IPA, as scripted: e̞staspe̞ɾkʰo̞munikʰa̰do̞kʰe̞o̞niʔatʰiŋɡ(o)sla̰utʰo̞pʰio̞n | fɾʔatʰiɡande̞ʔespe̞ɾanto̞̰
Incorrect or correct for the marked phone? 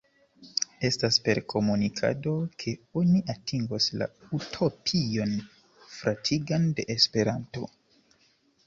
correct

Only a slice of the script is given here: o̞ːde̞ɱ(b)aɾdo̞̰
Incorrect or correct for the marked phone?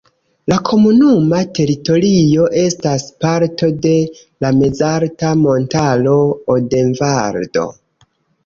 incorrect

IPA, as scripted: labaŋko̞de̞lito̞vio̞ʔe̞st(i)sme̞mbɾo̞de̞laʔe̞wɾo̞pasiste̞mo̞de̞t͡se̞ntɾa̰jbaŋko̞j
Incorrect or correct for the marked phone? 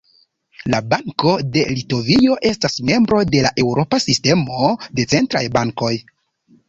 incorrect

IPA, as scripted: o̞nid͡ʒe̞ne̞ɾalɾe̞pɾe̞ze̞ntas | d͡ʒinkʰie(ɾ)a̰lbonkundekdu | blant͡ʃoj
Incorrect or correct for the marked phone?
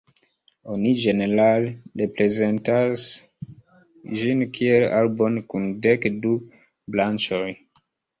incorrect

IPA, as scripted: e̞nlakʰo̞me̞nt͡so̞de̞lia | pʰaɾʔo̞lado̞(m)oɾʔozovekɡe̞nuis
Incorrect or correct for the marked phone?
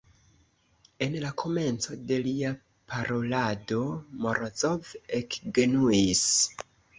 correct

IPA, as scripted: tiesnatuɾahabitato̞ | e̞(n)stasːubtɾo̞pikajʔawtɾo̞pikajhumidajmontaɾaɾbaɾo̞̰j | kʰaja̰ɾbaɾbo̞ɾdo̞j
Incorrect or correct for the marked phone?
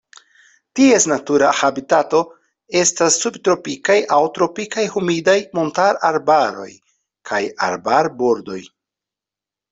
incorrect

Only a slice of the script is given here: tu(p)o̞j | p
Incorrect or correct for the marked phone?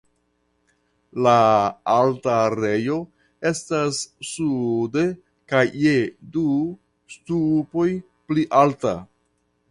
correct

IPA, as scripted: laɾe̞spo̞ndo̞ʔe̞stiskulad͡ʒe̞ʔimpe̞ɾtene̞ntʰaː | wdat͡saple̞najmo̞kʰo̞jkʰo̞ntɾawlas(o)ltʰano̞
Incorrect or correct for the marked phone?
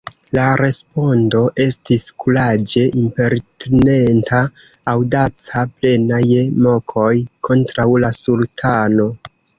incorrect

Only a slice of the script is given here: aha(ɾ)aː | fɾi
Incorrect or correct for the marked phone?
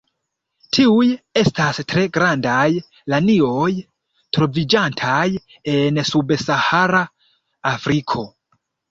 correct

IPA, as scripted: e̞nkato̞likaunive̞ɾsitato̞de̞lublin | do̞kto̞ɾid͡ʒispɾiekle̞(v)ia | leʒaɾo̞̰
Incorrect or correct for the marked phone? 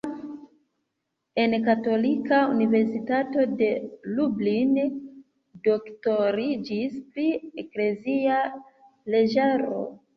incorrect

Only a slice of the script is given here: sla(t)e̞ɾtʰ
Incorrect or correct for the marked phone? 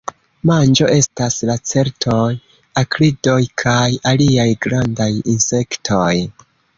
incorrect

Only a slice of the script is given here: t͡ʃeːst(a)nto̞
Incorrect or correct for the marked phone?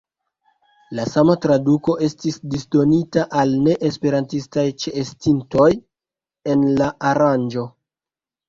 incorrect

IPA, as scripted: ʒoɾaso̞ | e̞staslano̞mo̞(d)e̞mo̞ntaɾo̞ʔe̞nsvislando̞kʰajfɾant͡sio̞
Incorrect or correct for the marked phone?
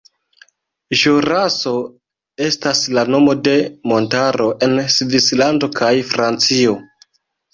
correct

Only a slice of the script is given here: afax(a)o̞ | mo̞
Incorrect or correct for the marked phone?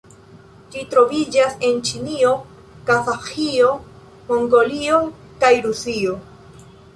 incorrect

